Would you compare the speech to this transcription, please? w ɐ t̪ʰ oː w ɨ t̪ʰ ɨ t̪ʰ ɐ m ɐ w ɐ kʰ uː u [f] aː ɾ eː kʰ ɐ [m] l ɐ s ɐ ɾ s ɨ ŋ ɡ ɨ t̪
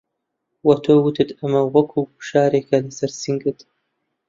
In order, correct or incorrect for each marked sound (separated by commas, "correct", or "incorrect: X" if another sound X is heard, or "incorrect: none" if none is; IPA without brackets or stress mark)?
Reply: incorrect: ʃ, incorrect: none